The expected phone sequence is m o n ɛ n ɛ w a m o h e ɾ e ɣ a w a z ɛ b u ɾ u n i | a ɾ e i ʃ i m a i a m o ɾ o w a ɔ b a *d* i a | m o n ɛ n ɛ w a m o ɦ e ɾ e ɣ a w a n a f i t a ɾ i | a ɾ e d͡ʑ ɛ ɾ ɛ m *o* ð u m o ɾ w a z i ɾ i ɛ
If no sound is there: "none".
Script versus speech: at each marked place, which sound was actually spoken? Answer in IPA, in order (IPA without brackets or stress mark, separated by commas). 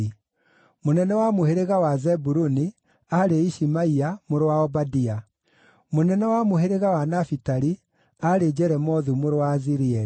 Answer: d, ɔ